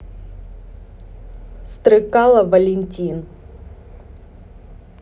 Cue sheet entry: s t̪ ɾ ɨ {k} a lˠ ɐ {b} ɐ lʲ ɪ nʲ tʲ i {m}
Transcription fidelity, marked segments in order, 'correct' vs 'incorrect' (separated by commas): correct, incorrect, incorrect